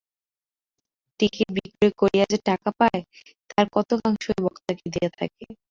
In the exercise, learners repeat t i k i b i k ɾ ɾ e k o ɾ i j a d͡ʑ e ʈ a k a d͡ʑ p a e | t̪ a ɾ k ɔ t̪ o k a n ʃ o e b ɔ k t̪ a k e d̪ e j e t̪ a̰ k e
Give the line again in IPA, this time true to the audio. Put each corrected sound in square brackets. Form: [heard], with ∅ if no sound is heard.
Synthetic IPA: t i k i b i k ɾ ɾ e k o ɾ i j a d͡ʑ e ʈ a k a [∅] p a e | t̪ a ɾ k ɔ t̪ o k a [ŋ] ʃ o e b ɔ k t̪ a k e d̪ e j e [t̪ʰ] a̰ k e